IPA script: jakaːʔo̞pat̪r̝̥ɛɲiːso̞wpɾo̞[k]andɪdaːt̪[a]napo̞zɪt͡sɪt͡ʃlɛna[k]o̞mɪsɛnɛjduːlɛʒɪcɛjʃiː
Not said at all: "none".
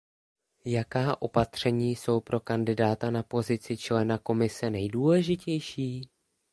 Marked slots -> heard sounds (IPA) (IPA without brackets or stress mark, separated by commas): k, a, k